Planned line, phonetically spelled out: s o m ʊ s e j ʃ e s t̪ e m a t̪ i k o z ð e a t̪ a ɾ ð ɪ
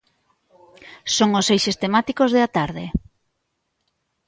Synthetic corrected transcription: s o ŋ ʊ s e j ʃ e s t̪ e m a t̪ i k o z ð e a t̪ a ɾ ð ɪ